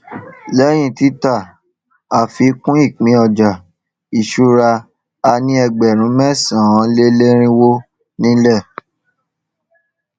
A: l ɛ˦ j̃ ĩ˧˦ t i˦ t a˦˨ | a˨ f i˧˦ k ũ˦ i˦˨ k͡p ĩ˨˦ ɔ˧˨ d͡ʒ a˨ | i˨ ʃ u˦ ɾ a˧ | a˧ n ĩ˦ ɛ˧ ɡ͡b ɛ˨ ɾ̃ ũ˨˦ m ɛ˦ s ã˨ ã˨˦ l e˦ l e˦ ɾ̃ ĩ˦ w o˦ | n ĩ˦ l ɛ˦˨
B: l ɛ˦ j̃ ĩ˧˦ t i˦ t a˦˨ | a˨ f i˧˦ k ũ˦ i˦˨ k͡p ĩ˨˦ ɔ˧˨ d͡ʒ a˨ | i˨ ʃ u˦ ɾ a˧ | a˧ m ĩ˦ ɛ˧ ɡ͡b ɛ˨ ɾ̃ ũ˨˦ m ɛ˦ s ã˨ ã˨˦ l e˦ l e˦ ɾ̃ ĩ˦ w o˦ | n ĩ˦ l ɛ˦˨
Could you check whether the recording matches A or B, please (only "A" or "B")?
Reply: A